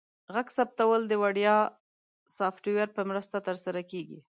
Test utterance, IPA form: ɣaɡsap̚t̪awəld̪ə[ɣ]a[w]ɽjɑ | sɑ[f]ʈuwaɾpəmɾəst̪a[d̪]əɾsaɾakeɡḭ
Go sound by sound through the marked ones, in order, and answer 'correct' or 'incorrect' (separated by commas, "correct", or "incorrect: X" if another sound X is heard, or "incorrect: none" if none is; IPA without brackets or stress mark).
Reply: incorrect: w, incorrect: none, correct, incorrect: t̪